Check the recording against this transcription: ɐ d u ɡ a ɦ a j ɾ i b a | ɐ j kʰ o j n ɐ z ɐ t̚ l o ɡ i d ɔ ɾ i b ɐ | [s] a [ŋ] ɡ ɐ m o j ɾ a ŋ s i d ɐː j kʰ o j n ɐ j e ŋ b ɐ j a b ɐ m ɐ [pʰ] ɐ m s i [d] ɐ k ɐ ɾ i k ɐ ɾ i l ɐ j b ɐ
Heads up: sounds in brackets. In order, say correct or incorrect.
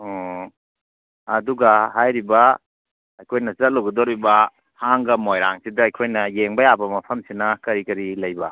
incorrect: h, correct, correct, incorrect: n

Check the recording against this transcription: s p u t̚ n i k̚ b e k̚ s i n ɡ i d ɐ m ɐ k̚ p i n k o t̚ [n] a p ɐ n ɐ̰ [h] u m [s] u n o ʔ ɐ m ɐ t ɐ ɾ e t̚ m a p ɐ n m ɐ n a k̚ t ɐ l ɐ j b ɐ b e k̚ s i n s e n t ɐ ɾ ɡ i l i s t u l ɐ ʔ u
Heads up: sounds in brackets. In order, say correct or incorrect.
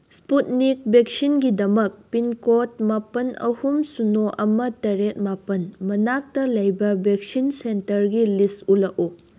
incorrect: m, correct, correct

